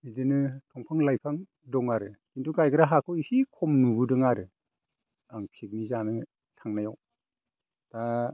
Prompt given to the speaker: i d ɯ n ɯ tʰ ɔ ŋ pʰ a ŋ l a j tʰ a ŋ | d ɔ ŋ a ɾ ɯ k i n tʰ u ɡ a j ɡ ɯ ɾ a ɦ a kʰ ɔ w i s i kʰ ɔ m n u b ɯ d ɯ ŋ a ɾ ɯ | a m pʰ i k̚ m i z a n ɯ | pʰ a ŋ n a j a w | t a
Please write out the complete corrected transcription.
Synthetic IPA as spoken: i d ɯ n ɯ tʰ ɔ ŋ pʰ a ŋ l a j pʰ a ŋ | d ɔ ŋ a ɾ ɯ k i n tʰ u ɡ a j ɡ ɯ ɾ a ɦ a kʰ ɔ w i s i kʰ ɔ m n u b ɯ d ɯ ŋ a ɾ ɯ | a ŋ pʰ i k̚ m i z a n ɯ | tʰ a ŋ n a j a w | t a